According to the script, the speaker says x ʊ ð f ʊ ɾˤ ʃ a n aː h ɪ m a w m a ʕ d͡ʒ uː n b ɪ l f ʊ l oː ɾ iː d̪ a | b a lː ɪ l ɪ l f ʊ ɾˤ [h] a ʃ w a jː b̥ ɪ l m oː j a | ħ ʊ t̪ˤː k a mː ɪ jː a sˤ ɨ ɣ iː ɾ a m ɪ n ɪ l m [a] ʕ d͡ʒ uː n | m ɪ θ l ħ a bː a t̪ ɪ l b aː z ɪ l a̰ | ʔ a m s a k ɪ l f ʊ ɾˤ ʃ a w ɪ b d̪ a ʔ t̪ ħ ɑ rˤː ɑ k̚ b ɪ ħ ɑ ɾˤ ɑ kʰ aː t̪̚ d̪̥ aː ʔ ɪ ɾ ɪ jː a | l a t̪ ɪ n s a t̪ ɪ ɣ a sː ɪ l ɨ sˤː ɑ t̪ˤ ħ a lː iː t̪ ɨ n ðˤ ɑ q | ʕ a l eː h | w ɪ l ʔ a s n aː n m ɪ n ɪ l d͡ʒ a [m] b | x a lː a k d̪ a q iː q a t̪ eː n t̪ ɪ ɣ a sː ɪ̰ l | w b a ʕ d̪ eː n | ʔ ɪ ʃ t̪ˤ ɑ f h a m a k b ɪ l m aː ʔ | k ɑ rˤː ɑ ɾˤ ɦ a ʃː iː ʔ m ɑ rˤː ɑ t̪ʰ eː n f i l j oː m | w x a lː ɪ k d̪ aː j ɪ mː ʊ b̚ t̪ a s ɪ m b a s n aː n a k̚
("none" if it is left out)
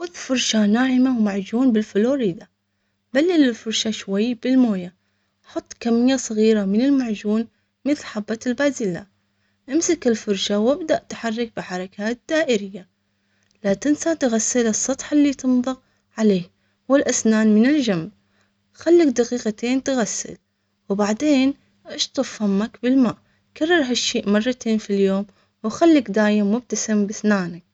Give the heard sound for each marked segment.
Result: ʃ, a, m

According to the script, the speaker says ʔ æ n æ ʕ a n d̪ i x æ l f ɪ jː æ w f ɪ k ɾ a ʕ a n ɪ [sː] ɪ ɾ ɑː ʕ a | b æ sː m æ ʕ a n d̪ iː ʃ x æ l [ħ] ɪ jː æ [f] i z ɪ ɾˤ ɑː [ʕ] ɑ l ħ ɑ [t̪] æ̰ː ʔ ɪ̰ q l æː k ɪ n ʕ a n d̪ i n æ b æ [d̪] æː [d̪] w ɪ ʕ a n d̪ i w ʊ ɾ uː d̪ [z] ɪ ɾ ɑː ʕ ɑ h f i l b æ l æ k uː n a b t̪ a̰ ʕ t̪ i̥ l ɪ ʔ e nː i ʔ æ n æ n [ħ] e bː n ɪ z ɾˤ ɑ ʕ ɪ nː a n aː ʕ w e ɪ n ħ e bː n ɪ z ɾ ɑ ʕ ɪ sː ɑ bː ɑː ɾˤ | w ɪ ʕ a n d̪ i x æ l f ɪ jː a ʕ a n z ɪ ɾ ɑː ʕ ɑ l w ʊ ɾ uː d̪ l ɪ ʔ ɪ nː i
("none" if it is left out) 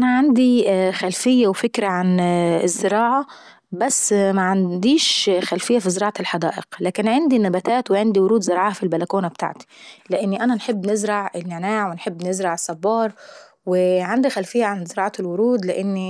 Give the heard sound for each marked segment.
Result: zː, f, f, ʕ, d̪, t̪, t̪, z, ħ

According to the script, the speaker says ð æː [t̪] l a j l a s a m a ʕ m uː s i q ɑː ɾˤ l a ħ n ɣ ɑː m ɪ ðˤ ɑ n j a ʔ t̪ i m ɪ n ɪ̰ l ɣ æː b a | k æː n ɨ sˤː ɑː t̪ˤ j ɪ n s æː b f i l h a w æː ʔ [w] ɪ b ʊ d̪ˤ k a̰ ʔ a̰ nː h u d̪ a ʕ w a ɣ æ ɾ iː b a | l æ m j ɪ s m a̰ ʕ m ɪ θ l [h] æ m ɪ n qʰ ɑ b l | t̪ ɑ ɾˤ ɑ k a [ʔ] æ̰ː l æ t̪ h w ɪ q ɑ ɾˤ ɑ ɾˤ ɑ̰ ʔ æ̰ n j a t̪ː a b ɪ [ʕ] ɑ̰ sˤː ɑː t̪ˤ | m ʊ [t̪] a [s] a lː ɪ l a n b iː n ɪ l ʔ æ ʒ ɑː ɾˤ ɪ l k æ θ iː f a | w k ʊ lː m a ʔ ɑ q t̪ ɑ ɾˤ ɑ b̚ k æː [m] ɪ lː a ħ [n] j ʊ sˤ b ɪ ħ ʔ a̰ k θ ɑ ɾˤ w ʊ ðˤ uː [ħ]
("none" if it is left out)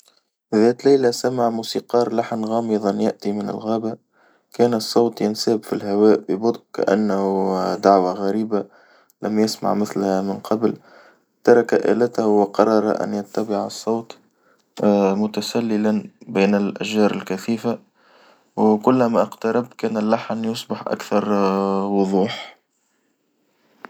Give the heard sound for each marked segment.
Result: t̪, b, h, ʔ, ʕ, t̪, s, n, n, ħ

